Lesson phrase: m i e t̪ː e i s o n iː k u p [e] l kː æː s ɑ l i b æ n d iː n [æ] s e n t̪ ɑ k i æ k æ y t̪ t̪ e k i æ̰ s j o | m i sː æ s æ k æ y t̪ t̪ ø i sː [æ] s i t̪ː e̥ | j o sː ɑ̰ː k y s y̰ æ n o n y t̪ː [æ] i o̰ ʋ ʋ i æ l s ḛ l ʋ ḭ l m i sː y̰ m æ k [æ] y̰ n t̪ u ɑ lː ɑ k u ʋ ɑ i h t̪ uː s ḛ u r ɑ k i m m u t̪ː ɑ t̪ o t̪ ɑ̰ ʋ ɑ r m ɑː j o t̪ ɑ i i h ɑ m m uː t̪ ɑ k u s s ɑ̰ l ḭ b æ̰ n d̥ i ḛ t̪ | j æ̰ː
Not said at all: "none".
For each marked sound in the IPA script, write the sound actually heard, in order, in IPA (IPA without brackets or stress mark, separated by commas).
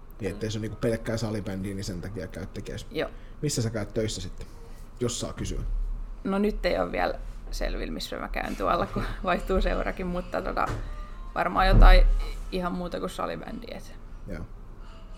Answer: e, i, æ, e, æ